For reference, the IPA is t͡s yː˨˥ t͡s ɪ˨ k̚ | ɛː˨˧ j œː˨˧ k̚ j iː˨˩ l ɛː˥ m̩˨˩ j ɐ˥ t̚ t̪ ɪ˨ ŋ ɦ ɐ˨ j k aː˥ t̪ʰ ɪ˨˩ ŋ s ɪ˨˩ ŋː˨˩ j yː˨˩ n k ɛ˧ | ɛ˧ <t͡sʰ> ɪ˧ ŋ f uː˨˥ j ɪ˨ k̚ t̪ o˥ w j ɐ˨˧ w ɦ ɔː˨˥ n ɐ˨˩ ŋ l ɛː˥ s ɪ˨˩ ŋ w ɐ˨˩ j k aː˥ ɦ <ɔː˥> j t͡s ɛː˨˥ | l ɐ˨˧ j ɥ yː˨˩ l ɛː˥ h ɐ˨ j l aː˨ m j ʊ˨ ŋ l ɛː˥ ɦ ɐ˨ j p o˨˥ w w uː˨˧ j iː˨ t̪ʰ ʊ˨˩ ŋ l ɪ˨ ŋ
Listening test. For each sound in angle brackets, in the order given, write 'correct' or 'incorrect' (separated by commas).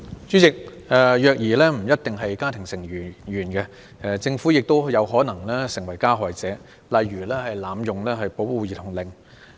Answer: incorrect, incorrect